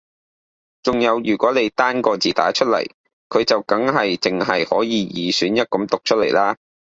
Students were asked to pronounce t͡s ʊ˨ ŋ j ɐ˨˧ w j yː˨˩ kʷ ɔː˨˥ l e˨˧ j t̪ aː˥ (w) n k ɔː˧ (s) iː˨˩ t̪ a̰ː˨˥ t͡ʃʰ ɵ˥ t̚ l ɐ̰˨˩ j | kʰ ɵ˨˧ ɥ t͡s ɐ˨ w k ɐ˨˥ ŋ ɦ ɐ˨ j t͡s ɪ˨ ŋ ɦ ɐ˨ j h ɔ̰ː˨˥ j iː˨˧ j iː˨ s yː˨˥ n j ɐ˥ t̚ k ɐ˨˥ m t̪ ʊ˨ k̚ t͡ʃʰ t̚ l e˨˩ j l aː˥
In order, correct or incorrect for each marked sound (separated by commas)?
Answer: incorrect, incorrect